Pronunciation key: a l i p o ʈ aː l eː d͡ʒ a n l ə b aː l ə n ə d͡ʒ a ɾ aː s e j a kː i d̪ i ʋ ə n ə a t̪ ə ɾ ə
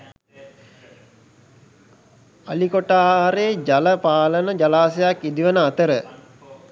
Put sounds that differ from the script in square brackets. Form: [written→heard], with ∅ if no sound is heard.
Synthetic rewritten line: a l i [p→k] o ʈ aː [l→ɾ] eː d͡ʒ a [n→∅] l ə [b→p] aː l ə n ə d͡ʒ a [ɾ→l] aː s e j a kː i d̪ i ʋ ə n ə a t̪ ə ɾ ə

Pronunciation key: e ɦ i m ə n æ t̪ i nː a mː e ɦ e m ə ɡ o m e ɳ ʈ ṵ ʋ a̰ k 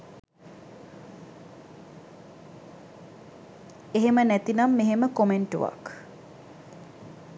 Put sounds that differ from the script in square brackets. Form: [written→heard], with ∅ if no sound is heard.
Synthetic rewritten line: e ɦ [i→e] m ə n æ t̪ i [nː→n] a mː e ɦ e m ə [ɡ→k] o m e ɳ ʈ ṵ ʋ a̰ k

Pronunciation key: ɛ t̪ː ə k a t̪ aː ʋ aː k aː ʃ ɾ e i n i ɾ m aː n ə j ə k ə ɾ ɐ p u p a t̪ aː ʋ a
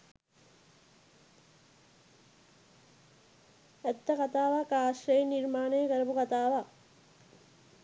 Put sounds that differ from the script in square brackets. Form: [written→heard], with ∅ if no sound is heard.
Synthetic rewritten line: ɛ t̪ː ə k a t̪ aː ʋ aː k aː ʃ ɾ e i n i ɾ m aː n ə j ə k ə ɾ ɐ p u [p→k] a t̪ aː ʋ a

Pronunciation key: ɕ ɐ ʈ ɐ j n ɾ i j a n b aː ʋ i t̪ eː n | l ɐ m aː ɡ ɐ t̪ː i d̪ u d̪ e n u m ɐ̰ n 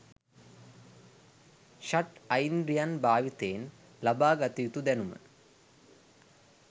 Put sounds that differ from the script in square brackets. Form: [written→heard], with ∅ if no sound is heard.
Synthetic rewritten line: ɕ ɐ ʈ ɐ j n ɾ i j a n b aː ʋ i t̪ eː n | l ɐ [m→b] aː ɡ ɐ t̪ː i [d̪→t̪] u d̪ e n u m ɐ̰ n

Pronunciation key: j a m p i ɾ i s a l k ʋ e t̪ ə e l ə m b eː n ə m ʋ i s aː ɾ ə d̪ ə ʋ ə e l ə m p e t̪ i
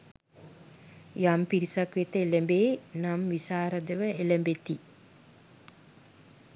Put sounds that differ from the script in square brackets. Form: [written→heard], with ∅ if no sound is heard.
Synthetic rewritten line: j a m p i ɾ i s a [l→∅] k ʋ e t̪ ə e l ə m b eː n [ə→a] m ʋ i s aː ɾ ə d̪ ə ʋ ə e l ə m [p→b] e t̪ i

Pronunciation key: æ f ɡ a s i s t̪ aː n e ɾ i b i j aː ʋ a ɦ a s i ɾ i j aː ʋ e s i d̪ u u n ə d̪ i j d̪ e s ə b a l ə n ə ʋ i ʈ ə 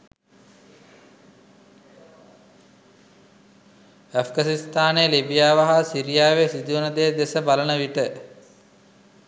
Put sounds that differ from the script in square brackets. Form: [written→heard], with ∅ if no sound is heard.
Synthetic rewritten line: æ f ɡ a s i s t̪ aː n e [ɾ→l] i b i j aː ʋ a ɦ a s i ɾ i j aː ʋ e s i d̪ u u n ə d̪ [i→e] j d̪ e s ə b a l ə n ə ʋ i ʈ ə

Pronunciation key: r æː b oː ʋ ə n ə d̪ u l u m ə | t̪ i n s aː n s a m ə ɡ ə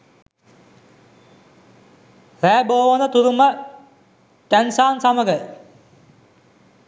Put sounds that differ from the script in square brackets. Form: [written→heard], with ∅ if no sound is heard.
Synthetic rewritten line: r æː b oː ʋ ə n ə [d̪→t̪] u [l→ɾ] u m ə | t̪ [i→æ] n s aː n s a m ə ɡ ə

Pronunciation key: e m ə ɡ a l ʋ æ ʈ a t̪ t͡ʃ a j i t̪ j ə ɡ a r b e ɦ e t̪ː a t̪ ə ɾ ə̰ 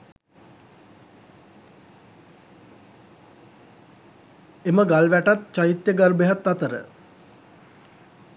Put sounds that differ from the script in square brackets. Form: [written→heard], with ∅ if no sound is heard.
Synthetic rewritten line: e m ə ɡ a l ʋ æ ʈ a t̪ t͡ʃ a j i t̪ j ə ɡ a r b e ɦ [e→a] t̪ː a t̪ ə ɾ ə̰

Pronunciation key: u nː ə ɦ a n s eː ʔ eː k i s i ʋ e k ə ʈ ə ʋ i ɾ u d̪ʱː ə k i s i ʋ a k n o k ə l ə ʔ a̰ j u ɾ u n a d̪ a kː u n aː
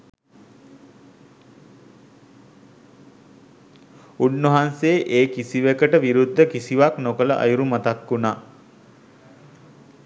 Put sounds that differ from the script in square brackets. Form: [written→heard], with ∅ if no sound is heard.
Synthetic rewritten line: u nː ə ɦ a n s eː ʔ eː k i s i ʋ e k ə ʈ ə ʋ i ɾ u d̪ʱː ə k i s i ʋ a k n o k ə l ə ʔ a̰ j u ɾ u [n→m] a [d̪→t̪] a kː u n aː

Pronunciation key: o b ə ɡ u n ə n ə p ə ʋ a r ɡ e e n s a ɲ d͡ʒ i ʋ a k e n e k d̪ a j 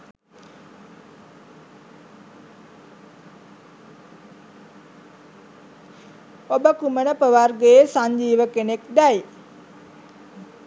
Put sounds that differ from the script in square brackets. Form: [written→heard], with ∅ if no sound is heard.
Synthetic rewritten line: o b ə [ɡ→k] u [n→m] ə n ə p ə ʋ a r ɡ e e [n→∅] s a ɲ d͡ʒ [i→iː] ʋ [a→ə] k e n e k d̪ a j

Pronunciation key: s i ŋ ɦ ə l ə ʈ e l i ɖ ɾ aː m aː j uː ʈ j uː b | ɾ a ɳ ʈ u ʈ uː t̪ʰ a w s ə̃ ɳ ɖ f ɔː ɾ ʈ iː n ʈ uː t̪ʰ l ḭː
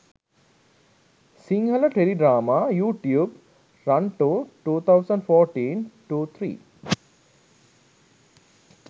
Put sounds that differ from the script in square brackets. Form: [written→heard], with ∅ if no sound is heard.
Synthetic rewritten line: s i ŋ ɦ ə l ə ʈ e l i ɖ ɾ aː m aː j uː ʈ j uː b | ɾ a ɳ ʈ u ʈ uː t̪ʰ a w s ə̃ ɳ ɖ f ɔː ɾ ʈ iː n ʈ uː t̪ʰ [l→ɾ] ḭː

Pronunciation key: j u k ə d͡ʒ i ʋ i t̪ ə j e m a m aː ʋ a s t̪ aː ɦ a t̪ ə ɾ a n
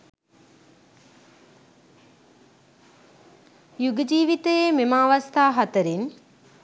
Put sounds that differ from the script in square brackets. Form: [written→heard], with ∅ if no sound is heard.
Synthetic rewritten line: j u [k→ɡ] ə d͡ʒ [i→iː] ʋ i t̪ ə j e m [a→e] m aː ʋ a s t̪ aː ɦ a t̪ ə ɾ [a→i] n

